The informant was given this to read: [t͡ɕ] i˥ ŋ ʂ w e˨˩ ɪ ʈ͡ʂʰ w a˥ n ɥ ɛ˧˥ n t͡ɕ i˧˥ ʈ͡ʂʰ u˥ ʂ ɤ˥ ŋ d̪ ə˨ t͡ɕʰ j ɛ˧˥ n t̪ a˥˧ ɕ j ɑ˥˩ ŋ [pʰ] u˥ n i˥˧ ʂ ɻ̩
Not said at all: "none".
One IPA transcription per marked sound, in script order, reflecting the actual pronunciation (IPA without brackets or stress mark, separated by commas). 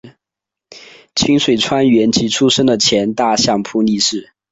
t͡ɕʰ, pʰ